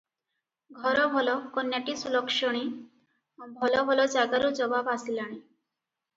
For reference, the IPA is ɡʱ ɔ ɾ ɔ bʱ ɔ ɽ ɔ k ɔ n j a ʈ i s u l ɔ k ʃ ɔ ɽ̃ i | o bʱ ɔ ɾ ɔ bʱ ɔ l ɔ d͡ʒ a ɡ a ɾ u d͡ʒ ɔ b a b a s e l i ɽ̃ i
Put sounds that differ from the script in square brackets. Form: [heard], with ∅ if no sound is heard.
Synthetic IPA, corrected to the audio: ɡʱ ɔ ɾ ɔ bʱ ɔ [l] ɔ k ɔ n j a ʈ i s u l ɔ k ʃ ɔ ɽ̃ i | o bʱ ɔ [l] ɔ bʱ ɔ l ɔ d͡ʒ a ɡ a ɾ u d͡ʒ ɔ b a b a s [i] l [a] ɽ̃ i